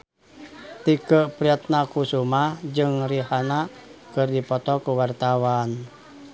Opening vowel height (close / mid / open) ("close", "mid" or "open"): close